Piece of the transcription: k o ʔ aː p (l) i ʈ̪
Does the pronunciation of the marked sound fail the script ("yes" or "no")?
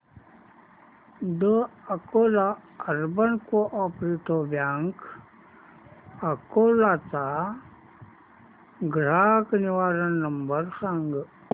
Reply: yes